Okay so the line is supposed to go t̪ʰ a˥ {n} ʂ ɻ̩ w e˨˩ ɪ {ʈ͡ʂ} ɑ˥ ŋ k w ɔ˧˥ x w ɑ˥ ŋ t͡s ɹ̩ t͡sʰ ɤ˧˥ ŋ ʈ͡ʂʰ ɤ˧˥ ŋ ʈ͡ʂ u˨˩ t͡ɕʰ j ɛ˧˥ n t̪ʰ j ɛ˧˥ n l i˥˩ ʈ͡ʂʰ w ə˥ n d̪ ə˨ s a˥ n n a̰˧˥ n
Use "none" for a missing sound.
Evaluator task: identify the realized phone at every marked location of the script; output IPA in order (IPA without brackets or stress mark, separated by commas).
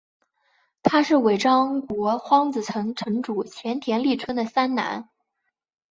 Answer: none, ʈ͡ʂ